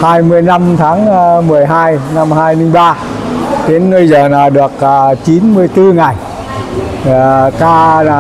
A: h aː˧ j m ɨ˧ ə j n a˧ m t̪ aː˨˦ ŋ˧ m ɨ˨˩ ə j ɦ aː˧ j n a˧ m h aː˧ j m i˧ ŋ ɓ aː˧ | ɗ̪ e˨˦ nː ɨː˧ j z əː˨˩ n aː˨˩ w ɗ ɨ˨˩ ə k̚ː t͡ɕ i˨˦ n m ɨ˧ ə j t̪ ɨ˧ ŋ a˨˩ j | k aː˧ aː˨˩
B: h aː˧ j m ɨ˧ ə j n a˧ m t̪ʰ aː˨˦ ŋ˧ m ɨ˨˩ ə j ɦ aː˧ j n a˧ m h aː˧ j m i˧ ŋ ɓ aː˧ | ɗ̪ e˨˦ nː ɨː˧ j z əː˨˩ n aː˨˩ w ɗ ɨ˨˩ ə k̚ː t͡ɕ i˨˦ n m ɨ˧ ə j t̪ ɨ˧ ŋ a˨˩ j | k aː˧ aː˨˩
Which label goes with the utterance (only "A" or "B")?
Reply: B